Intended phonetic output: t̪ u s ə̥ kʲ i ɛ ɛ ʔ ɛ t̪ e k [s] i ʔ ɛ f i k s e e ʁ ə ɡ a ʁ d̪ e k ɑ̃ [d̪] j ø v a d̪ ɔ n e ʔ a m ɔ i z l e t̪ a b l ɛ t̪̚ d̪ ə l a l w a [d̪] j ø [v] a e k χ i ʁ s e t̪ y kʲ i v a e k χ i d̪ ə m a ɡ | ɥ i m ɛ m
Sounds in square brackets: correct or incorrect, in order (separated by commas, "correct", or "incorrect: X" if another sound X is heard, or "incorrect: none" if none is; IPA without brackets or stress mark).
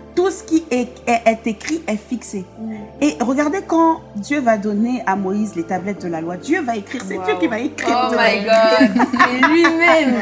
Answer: incorrect: χ, correct, correct, correct